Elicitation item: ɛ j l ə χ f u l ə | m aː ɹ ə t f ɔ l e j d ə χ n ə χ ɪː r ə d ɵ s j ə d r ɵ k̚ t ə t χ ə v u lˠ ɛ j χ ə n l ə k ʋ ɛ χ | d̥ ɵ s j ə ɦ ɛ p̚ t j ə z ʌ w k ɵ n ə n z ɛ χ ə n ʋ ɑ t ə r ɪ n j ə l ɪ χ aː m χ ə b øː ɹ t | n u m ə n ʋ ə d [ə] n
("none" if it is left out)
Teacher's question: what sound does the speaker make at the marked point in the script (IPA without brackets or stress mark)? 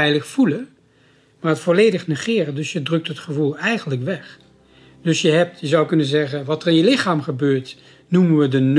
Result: ə